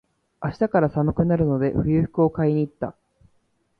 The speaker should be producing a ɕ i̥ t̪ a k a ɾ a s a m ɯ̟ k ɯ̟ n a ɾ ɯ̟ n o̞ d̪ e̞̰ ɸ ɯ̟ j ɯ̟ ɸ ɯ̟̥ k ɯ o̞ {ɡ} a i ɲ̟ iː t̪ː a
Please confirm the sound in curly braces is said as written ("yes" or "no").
no